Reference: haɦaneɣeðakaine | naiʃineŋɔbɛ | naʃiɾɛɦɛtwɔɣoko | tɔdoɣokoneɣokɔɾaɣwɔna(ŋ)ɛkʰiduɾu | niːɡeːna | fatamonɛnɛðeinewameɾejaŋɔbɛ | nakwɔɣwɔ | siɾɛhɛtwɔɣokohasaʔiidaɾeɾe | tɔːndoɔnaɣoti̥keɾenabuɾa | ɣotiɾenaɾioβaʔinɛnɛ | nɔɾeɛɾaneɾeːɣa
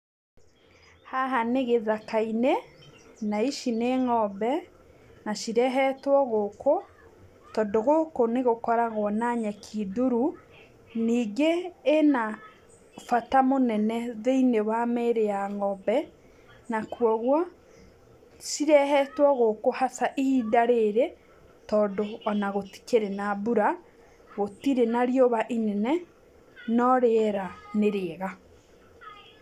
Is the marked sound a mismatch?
yes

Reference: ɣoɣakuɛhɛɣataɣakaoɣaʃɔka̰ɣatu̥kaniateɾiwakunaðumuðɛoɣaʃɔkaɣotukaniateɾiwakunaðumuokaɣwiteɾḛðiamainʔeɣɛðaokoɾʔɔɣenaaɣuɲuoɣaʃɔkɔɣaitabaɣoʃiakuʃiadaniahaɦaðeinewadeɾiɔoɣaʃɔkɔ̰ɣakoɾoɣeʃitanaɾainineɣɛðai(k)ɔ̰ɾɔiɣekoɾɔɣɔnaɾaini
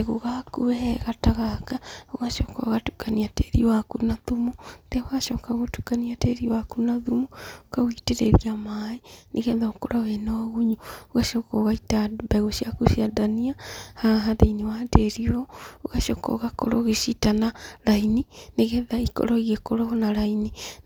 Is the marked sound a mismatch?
no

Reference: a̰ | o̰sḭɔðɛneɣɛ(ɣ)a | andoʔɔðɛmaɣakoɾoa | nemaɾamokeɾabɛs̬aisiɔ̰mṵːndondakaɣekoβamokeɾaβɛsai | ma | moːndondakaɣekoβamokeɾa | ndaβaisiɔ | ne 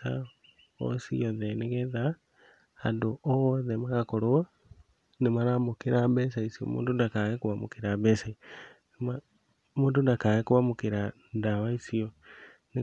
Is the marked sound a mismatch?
yes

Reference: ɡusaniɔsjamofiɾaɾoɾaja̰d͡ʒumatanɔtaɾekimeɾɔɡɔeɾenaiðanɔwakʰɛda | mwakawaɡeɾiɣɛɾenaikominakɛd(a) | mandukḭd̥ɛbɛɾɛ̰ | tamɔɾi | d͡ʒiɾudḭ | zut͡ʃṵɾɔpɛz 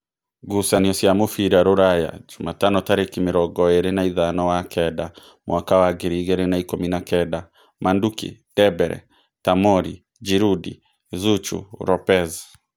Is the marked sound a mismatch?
no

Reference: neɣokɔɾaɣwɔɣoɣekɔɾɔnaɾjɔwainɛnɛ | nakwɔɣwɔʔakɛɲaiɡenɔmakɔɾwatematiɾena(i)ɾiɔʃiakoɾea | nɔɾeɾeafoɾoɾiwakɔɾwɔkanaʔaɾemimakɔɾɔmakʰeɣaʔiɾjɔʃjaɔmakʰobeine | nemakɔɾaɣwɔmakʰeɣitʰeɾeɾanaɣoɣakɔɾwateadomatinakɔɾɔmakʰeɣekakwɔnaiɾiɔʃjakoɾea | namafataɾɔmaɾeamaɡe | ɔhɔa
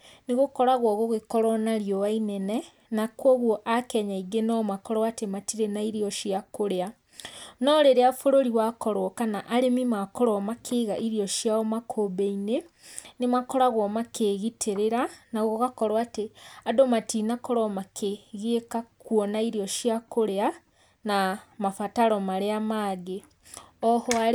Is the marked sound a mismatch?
no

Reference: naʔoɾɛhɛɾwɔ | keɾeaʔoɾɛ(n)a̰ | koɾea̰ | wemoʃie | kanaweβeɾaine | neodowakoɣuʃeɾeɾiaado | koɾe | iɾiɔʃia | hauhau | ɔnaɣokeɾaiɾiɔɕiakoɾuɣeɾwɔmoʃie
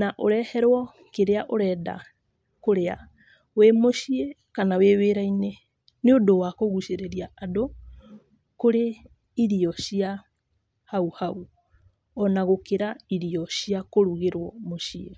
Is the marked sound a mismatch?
yes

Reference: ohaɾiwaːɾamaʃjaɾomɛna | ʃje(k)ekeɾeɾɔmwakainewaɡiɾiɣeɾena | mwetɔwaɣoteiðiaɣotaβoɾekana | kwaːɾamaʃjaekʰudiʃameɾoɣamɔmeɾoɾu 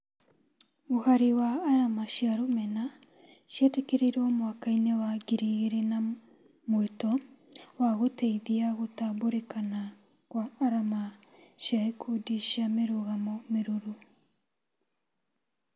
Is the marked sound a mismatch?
yes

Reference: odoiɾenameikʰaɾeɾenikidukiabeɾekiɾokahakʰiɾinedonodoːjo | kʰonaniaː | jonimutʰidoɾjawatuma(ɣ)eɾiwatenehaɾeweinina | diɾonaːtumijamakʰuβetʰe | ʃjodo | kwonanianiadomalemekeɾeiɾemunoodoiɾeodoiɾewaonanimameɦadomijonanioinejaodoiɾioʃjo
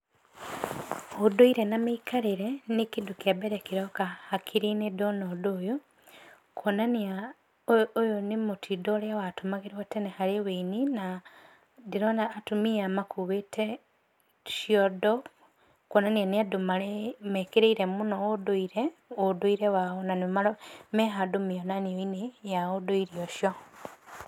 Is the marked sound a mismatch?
no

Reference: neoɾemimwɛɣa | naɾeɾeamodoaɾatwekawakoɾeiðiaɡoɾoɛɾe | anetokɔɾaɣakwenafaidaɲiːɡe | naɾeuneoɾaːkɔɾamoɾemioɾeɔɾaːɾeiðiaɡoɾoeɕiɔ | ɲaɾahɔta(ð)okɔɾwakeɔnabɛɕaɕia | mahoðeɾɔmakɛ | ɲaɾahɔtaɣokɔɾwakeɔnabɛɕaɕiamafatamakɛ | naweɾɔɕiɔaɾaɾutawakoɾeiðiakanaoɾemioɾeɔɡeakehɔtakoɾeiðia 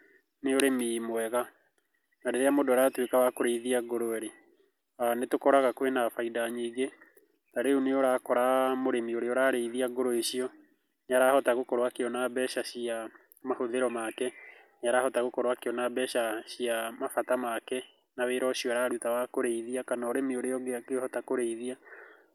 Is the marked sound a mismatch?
yes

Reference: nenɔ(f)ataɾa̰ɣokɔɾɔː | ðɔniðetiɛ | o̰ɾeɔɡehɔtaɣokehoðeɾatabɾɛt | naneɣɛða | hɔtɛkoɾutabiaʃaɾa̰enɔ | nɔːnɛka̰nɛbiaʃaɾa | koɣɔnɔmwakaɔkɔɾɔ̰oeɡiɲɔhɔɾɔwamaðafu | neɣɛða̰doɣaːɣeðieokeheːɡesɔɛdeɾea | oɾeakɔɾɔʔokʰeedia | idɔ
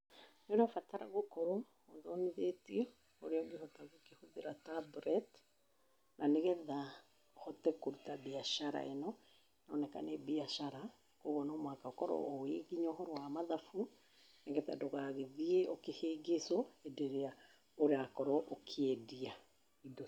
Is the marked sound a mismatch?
no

